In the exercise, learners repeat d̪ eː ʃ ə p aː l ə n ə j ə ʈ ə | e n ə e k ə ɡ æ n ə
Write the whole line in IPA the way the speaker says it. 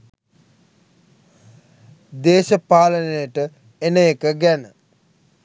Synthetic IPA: d̪ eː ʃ ə p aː l ə n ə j ə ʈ ə | e n ə e k ə ɡ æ n ə